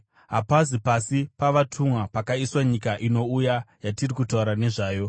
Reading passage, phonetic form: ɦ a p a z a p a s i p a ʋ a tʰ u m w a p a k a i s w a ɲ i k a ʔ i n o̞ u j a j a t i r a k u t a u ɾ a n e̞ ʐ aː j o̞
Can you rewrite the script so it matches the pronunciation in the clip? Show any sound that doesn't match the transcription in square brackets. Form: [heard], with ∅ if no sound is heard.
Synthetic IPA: ɦ a p a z [i] p a s i p a ʋ a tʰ u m w a p a k a i s w a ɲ i k a ʔ i n o̞ u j a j a t i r [i] k u t a u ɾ a n e̞ ʐ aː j o̞